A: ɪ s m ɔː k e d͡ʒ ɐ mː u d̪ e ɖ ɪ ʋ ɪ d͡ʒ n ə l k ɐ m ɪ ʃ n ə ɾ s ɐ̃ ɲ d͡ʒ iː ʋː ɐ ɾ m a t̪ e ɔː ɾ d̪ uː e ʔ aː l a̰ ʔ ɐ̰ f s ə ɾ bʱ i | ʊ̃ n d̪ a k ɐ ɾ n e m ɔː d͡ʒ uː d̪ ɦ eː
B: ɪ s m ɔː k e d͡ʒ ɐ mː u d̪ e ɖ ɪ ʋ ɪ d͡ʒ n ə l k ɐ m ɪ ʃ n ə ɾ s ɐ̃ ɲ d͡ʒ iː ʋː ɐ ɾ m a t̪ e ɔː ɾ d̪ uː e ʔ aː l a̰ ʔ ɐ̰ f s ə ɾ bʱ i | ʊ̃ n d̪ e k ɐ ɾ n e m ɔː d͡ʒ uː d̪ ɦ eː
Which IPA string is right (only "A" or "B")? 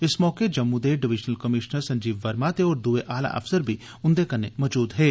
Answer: B